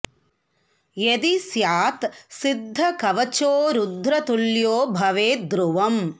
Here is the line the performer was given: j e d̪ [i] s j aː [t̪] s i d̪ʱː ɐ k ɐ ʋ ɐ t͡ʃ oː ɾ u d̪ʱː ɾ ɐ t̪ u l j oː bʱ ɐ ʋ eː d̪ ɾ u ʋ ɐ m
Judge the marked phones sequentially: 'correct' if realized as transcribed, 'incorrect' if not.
correct, correct

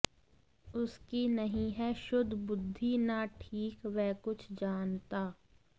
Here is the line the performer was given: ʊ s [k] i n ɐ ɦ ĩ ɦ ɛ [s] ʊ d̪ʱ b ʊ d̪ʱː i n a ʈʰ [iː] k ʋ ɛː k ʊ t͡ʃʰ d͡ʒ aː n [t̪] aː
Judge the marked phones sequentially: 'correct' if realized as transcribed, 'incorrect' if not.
correct, incorrect, correct, correct

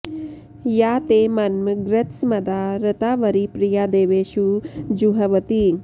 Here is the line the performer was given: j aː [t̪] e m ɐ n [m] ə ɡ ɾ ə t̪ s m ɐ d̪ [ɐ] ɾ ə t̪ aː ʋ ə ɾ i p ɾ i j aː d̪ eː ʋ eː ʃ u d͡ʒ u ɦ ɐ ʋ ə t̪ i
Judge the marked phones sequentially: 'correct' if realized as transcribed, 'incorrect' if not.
correct, correct, incorrect

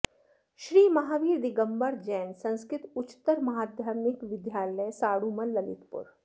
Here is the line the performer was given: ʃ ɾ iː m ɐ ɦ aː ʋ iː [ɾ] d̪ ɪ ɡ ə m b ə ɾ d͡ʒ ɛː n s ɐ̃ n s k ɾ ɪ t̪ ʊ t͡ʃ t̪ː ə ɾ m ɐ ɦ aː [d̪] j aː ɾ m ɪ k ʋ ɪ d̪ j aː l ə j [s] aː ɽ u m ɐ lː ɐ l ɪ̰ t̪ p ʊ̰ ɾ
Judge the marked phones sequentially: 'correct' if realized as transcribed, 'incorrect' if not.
correct, correct, correct

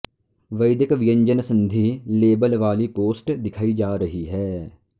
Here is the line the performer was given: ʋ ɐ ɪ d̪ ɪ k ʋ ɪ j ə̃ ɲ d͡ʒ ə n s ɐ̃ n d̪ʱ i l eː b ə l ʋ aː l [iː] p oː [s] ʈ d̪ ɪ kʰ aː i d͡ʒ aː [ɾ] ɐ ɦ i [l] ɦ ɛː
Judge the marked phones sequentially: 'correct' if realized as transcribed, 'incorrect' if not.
incorrect, correct, correct, incorrect

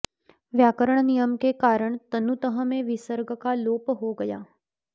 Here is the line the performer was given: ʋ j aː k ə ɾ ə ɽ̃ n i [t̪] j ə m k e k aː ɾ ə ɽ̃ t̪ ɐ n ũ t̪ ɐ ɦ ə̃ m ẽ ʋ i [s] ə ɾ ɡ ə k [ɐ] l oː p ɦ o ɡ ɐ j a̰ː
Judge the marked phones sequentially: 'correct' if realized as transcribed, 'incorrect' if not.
incorrect, correct, incorrect

